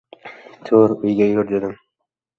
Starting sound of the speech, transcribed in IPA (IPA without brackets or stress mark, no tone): t̪ʰ